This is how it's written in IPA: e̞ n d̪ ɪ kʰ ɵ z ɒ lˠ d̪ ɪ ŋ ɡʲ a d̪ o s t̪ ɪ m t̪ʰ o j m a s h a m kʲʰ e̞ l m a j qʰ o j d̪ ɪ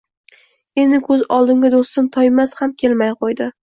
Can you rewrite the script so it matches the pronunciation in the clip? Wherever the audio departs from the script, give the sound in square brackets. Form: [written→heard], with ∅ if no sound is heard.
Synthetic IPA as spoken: e̞ n d̪ ɪ kʰ ɵ z ɒ lˠ d̪ ɪ ŋ ɡʲ a d̪ o s t̪ ɪ m t̪ʰ [o→ɒ] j m a s h a m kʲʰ e̞ l m a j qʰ o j d̪ ɪ